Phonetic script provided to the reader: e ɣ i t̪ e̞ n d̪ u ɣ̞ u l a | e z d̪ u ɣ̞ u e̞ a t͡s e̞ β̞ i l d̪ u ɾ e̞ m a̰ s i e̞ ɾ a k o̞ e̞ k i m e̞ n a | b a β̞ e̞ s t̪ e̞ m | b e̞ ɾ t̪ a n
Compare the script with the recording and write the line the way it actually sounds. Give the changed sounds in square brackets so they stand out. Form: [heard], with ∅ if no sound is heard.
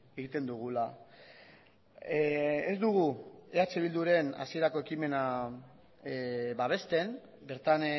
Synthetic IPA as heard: e ɣ i t̪ e̞ n d̪ u ɣ̞ u l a | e z d̪ u ɣ̞ u e̞ a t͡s e̞ β̞ i l d̪ u ɾ e̞ [n] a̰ s i e̞ ɾ a k o̞ e̞ k i m e̞ n a | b a β̞ e̞ s t̪ e̞ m | b e̞ ɾ t̪ a n